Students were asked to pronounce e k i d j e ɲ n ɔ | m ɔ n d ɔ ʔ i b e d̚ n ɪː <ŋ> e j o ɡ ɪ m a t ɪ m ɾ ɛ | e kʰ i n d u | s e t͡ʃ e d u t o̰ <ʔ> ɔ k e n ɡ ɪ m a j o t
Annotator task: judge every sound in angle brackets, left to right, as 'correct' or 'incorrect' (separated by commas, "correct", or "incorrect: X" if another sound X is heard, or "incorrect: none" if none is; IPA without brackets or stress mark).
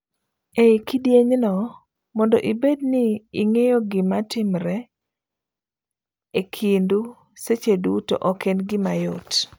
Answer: correct, correct